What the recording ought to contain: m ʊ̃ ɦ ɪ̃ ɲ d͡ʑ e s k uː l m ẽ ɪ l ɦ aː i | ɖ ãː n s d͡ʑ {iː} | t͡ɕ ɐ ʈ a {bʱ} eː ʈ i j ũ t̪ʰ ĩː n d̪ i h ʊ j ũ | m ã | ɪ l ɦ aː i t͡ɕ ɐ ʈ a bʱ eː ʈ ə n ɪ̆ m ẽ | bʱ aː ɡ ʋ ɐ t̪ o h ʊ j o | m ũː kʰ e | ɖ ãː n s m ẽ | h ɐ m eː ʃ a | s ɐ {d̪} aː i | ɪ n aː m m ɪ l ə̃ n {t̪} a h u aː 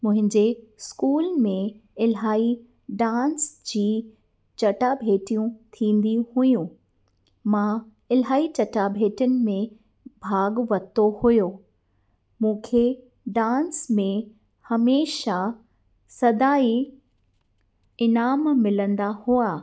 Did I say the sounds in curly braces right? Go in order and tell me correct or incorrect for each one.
correct, correct, correct, incorrect

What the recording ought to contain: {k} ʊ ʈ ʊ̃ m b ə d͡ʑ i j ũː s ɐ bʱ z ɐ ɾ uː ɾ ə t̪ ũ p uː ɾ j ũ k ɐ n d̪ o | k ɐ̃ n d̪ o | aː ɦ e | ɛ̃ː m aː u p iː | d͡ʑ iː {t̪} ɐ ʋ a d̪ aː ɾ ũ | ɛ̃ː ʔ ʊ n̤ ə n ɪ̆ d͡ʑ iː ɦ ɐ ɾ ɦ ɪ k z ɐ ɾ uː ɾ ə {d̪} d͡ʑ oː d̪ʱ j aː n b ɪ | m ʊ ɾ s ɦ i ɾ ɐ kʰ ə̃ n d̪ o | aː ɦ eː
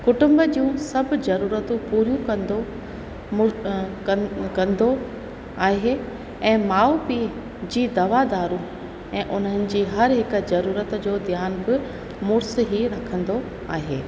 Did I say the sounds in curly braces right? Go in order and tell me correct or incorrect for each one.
correct, incorrect, incorrect

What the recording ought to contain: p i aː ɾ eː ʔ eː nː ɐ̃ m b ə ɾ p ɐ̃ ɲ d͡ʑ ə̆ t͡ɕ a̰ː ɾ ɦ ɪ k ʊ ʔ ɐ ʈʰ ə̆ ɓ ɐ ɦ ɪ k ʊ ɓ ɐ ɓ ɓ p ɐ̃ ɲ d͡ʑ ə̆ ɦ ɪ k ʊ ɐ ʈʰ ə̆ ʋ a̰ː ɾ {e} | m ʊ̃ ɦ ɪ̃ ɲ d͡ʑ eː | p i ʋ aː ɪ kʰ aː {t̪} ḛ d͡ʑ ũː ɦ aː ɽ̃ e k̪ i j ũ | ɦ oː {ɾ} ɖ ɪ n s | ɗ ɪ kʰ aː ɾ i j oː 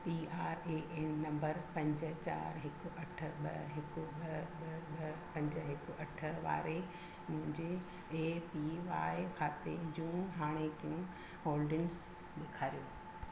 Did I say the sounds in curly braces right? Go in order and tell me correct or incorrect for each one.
correct, correct, incorrect

